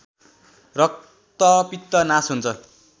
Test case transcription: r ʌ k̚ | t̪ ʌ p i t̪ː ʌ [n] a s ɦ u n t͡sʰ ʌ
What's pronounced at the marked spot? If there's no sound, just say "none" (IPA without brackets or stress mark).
n